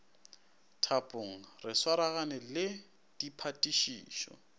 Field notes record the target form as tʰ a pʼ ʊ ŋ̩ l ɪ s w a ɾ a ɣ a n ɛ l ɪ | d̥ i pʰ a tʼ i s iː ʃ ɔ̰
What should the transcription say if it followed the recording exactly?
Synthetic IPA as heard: tʰ a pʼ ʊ ŋ̩ r ɪ s w a ɾ a ɣ a n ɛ l ɪ | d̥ i pʰ a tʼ i ʃ iː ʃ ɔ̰

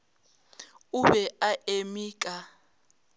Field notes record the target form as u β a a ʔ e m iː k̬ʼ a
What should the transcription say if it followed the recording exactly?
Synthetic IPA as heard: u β ɛ a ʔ e m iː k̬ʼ a

